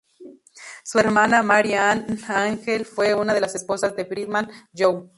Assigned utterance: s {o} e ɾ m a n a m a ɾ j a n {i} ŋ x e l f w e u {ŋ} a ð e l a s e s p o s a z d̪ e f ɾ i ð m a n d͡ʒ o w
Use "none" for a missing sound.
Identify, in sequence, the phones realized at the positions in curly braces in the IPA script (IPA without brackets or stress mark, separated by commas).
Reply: u, a, n